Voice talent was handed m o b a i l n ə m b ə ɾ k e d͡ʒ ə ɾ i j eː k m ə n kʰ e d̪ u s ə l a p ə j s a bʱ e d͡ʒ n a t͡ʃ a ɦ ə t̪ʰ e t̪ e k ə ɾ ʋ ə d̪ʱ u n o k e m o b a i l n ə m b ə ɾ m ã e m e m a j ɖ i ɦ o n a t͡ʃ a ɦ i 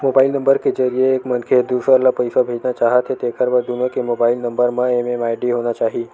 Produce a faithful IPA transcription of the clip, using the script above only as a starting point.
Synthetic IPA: m o b a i l n ə m b ə ɾ k e d͡ʒ ə ɾ i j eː k m ə n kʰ e d̪ u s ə l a p ə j s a bʱ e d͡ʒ n a t͡ʃ a ɦ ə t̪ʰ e t̪ e k ə ɾ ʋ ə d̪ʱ u n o k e m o b a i l n ə m b ə ɾ m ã e m e m a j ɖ i ɦ o n a t͡ʃ a ɦ i